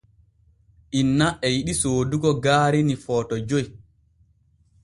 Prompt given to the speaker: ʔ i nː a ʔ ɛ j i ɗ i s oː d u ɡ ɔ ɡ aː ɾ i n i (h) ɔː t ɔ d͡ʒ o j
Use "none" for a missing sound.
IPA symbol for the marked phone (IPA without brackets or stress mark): f